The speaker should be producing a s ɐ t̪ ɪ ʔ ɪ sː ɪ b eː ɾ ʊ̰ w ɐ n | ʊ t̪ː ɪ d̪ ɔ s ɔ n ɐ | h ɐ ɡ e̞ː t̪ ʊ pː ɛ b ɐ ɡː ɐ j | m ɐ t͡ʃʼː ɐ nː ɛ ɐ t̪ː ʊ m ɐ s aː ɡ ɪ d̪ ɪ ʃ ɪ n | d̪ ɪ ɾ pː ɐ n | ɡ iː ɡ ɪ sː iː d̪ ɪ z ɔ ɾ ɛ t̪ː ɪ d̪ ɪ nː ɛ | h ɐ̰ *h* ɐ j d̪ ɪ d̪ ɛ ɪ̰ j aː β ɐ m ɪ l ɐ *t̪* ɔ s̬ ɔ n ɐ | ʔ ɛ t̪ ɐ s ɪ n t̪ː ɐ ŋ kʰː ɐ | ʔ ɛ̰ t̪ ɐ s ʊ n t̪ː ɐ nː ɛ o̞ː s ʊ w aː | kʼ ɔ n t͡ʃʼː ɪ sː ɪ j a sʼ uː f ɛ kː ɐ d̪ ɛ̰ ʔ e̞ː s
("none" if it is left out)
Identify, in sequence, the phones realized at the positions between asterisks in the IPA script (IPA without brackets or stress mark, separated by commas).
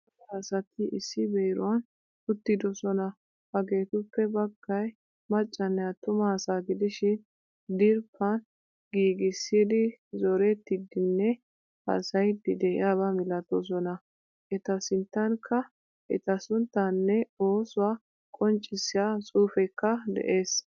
s, t̪